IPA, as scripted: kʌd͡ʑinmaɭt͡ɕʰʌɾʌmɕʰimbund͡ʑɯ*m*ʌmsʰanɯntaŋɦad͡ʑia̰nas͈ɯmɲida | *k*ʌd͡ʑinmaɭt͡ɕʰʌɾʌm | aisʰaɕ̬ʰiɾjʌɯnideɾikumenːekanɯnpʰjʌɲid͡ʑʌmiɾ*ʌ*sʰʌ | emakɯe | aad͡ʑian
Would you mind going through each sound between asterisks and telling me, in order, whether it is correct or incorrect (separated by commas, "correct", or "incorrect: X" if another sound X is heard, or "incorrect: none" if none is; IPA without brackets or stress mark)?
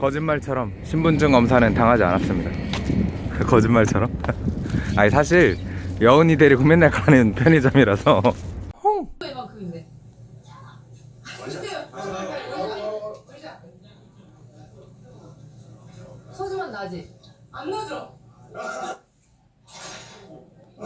incorrect: ŋ, correct, incorrect: a